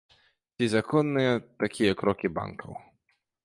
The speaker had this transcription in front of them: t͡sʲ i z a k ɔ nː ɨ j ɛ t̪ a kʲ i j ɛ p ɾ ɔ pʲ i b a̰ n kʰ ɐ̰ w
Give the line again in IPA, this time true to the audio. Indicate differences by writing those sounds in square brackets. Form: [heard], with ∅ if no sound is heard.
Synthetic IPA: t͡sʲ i z a k ɔ nː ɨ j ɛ t̪ a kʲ i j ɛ [k] ɾ ɔ [kʲ] i b a̰ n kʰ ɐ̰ w